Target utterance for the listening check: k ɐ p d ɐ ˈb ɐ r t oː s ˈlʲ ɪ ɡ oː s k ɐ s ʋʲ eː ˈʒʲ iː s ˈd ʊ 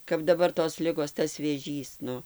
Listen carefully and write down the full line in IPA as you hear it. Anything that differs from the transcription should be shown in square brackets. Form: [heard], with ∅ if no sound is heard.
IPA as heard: k ɐ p d ɐ ˈb ɐ r t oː s ˈlʲ ɪ ɡ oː s [t] ɐ s ʋʲ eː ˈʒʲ iː s [ˈn] ʊ